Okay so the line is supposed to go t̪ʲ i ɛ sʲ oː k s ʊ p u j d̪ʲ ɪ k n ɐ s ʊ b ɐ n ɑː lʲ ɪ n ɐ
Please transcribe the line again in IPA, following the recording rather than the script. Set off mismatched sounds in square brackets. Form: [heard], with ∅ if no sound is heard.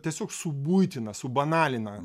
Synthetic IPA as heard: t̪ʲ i ɛ sʲ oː k s ʊ [b] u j [t̪ʲ] ɪ [∅] n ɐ s ʊ b ɐ n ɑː lʲ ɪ n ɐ